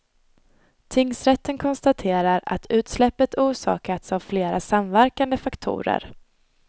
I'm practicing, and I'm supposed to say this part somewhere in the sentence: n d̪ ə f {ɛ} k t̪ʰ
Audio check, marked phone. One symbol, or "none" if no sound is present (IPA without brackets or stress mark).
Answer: a